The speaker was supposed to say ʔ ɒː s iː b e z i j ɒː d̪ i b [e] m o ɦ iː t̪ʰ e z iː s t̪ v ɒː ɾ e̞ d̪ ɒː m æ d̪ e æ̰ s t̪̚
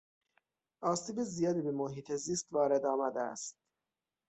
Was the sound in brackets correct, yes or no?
yes